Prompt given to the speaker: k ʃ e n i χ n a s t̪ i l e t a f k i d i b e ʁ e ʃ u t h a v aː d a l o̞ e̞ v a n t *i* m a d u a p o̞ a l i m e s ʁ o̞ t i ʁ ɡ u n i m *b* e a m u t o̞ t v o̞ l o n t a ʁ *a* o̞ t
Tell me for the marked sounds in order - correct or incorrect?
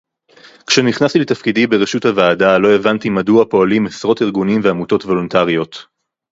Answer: correct, incorrect: v, incorrect: i

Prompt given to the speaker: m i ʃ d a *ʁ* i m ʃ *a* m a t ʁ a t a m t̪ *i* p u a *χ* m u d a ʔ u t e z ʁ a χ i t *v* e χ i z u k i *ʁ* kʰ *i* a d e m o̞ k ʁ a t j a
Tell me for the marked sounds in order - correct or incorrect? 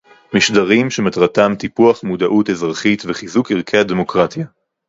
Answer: correct, incorrect: e, correct, correct, correct, correct, incorrect: e

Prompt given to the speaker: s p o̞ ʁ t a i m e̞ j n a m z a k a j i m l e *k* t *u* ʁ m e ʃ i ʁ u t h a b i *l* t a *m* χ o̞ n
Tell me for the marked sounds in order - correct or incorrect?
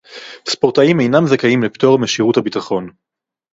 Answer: incorrect: p, incorrect: o, incorrect: none, incorrect: none

